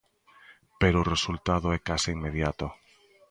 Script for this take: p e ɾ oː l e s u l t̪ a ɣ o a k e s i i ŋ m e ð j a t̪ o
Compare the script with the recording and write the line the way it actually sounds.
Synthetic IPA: p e ɾ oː r e s u l t̪ a ð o ɛ k a s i i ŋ m e ð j a t̪ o